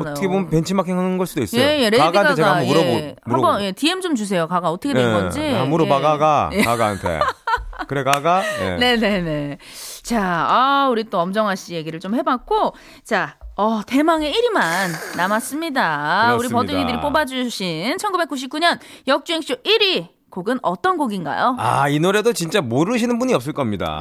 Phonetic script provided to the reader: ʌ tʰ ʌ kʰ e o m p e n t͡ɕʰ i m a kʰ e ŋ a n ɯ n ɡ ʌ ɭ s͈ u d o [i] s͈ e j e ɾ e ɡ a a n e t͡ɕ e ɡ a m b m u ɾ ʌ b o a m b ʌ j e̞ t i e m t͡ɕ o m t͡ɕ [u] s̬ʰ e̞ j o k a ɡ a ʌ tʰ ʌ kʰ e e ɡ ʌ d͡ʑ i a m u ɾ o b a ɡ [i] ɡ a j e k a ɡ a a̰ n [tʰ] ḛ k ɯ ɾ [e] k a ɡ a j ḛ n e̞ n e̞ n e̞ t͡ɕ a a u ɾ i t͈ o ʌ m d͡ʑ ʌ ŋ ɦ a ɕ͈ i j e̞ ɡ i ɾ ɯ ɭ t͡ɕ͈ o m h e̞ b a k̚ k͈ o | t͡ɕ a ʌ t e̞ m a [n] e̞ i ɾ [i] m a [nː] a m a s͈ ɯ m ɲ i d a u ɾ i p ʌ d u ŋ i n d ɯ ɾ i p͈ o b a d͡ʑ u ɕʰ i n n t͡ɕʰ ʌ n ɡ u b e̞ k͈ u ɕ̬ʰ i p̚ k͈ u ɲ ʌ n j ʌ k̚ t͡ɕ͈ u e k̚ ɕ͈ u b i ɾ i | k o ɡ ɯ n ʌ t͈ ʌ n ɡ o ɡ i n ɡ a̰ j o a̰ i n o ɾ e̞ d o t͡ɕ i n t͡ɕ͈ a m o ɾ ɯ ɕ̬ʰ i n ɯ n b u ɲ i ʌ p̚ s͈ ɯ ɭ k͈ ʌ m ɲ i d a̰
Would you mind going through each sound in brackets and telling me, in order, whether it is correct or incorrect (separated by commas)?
correct, correct, incorrect, correct, correct, incorrect, correct, correct